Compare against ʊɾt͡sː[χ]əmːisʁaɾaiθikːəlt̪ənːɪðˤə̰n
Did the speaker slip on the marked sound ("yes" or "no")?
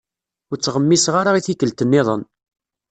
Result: yes